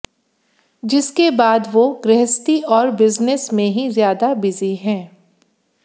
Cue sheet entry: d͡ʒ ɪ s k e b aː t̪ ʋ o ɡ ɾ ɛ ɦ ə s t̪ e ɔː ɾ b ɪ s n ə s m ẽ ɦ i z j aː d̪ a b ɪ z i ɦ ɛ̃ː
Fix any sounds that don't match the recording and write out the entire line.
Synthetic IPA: d͡ʒ ɪ s k e b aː d̪ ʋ o ɡ ɾ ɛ ɦ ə s t̪ i ɔː ɾ b ɪ z n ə s m ẽ ɦ i z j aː d̪ a b ɪ z i ɦ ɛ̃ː